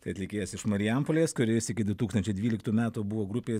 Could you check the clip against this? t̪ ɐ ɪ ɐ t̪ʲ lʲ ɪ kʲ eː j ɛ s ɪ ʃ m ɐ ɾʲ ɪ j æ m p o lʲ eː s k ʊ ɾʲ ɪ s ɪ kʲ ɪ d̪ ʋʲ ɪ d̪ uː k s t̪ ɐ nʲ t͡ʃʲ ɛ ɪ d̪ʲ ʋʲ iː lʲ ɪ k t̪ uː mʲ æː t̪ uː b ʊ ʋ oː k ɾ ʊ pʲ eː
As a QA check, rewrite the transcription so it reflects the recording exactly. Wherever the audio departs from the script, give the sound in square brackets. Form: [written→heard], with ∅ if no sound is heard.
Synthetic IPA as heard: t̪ ɐ ɪ ɐ t̪ʲ lʲ ɪ kʲ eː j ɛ s ɪ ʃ m ɐ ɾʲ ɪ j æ m p o lʲ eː s k ʊ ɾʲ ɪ s ɪ kʲ ɪ d̪ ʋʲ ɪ [d̪→t̪] uː k s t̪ ɐ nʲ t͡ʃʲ ɛ ɪ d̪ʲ ʋʲ iː lʲ ɪ k t̪ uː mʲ æː t̪ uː b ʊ ʋ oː [k→ɡ] ɾ ʊ pʲ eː